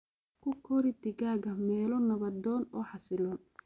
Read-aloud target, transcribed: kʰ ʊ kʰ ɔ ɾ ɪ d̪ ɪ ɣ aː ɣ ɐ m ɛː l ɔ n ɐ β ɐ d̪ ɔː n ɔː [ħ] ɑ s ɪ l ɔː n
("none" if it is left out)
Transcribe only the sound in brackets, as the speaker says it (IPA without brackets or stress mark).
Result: ħ